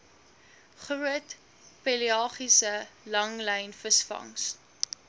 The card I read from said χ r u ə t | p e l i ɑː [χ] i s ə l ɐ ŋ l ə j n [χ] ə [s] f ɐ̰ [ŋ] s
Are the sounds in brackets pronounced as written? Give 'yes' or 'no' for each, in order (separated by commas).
yes, no, yes, yes